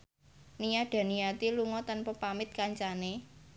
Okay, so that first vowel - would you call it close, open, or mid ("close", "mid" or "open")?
close